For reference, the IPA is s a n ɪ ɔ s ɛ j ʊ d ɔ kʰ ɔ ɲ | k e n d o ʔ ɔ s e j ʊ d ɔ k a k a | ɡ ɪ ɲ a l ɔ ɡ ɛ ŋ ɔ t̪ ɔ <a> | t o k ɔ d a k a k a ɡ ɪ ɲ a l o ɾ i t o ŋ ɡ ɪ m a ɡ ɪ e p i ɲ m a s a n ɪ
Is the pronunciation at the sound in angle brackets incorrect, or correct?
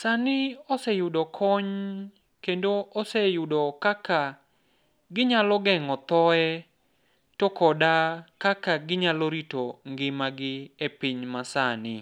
incorrect